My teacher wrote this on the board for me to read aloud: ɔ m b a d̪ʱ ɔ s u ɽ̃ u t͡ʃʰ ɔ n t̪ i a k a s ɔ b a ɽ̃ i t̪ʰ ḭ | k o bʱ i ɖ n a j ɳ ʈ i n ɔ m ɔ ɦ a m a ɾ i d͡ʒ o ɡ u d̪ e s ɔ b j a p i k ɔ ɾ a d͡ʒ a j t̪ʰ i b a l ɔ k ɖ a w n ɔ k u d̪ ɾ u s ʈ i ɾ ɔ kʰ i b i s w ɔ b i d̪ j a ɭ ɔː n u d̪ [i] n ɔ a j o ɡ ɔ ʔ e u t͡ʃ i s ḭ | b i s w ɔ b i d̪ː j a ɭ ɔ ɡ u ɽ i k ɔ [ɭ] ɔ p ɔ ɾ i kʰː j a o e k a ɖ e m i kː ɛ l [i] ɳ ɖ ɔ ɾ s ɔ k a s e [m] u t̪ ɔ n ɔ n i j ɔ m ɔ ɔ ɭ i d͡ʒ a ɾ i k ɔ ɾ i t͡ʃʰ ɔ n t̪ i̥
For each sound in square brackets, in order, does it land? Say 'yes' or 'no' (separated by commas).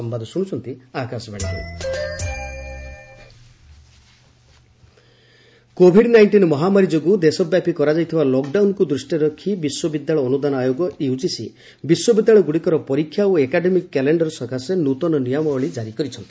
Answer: no, no, no, no